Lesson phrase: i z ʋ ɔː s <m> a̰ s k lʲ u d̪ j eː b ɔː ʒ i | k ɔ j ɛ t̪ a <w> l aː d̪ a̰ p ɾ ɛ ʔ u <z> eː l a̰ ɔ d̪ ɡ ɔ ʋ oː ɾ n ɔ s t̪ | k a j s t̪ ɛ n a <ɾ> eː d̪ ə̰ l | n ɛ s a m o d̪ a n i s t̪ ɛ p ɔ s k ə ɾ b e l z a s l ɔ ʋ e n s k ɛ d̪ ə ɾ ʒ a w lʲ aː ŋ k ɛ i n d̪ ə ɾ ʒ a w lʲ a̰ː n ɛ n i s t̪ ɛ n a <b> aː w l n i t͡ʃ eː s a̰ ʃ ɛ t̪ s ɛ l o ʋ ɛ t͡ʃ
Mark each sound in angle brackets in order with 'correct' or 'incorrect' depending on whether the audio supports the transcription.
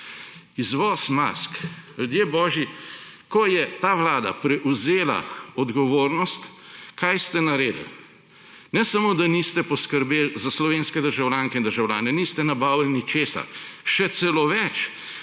correct, incorrect: ʋ, correct, correct, correct

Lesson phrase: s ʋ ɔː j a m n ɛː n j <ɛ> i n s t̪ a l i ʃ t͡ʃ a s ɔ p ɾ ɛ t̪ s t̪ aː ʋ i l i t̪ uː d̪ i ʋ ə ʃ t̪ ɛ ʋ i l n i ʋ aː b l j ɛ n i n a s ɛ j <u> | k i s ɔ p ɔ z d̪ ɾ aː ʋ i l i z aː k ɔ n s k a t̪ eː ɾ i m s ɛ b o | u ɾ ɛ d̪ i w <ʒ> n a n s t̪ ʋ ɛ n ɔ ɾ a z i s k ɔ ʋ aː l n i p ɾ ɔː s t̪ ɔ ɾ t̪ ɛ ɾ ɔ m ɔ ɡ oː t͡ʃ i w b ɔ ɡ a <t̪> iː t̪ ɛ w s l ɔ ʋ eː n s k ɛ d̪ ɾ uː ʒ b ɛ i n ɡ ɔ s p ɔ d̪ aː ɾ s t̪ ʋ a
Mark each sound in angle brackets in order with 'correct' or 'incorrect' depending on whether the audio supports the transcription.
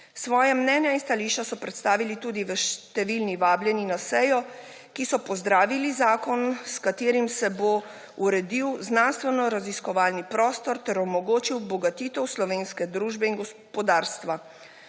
incorrect: a, incorrect: ɔ, incorrect: z, correct

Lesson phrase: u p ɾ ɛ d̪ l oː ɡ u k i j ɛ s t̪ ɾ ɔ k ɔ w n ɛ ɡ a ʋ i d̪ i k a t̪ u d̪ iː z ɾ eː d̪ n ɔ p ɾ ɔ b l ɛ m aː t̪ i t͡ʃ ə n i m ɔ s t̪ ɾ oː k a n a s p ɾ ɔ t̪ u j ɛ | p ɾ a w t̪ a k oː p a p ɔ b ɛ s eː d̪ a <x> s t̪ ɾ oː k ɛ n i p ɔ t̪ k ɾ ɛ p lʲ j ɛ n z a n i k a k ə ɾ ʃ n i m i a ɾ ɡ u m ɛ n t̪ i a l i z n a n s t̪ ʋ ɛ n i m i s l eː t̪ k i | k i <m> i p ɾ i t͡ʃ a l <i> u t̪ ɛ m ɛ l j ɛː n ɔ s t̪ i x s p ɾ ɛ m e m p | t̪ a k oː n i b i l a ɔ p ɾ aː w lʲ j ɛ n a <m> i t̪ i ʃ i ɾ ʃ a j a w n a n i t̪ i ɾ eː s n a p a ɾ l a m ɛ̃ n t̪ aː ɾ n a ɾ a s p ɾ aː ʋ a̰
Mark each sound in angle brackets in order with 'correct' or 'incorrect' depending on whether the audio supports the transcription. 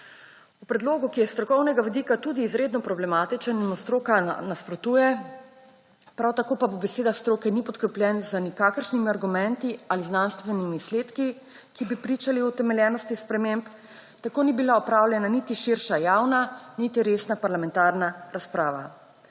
correct, incorrect: b, correct, incorrect: n

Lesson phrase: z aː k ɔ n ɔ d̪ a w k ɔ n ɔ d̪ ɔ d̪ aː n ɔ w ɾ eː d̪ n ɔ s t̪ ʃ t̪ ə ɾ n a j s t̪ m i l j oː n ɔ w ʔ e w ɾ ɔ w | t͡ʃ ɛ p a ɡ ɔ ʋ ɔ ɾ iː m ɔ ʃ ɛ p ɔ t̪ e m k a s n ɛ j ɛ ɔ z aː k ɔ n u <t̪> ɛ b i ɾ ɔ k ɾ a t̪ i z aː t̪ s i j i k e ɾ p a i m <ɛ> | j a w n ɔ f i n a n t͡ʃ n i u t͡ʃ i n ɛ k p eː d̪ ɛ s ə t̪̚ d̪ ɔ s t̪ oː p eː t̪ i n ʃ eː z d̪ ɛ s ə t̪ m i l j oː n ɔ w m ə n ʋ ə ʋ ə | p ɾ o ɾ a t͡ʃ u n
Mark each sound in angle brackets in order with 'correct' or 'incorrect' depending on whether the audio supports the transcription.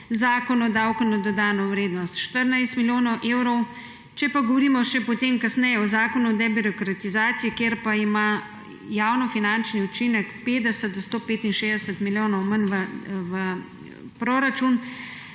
incorrect: d̪, incorrect: a

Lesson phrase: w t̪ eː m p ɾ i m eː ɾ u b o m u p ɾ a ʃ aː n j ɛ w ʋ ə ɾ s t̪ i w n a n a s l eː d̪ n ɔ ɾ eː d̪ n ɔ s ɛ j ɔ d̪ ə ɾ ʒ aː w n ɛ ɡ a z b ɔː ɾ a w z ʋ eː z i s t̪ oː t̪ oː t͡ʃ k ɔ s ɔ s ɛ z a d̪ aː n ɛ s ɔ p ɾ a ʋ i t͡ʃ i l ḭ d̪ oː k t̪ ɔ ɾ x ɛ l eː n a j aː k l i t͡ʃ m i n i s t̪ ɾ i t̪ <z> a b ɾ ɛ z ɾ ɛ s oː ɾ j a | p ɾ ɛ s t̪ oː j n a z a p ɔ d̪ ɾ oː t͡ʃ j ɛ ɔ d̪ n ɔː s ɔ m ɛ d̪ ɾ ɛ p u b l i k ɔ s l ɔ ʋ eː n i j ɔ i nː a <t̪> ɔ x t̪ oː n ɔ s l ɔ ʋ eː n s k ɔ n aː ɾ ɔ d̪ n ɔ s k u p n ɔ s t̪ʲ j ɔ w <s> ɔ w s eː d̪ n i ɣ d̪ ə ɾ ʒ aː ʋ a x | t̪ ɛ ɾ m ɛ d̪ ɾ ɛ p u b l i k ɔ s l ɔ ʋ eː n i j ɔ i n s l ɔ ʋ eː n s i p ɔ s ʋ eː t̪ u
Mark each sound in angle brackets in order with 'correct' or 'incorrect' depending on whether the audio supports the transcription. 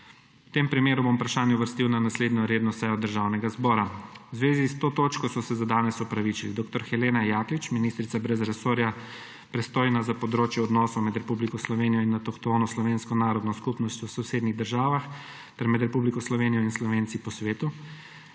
incorrect: s, correct, correct

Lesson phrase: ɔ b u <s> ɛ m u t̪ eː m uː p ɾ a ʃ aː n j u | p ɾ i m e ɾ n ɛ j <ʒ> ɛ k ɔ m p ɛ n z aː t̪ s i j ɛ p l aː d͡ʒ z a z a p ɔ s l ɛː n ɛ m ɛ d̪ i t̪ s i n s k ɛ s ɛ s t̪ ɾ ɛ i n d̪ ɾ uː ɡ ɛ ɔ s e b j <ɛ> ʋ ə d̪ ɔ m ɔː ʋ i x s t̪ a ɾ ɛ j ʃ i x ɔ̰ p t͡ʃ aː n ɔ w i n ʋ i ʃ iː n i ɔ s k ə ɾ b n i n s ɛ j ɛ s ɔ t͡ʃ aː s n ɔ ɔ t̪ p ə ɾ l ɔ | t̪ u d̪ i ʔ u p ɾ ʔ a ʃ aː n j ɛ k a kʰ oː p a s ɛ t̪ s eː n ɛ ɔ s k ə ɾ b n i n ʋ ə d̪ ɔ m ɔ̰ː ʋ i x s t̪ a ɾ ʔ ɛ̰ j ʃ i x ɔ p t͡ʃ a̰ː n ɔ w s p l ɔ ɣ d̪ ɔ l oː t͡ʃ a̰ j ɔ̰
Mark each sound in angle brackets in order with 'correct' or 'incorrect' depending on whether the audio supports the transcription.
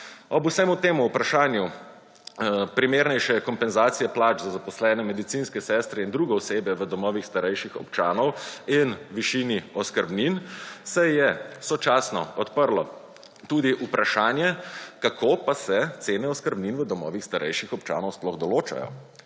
correct, incorrect: ʃ, correct

